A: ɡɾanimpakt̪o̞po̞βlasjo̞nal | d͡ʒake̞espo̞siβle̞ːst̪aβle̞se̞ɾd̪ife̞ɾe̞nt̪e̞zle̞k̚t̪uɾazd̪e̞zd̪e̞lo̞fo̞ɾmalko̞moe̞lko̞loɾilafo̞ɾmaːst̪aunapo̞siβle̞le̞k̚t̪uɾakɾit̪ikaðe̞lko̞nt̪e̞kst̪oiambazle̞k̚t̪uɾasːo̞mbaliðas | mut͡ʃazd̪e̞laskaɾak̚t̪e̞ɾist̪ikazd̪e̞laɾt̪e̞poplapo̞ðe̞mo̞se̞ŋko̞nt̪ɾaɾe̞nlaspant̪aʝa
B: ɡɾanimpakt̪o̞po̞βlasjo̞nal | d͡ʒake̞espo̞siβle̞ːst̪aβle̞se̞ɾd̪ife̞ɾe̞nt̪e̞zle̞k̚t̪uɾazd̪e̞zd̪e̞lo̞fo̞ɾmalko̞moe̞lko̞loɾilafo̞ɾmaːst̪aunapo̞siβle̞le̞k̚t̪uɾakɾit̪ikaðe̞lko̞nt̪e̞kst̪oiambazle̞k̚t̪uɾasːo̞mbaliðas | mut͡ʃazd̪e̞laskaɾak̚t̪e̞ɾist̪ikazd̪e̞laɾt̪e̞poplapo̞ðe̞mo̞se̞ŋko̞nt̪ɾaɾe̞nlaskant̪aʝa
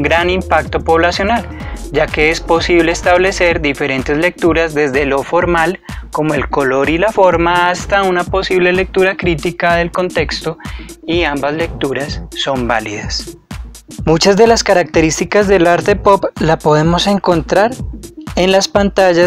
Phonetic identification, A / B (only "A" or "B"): A